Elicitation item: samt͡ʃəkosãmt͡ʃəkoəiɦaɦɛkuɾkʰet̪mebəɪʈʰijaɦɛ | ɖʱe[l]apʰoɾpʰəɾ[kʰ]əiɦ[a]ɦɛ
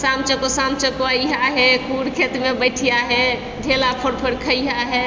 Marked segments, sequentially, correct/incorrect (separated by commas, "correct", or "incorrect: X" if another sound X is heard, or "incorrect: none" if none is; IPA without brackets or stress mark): correct, correct, correct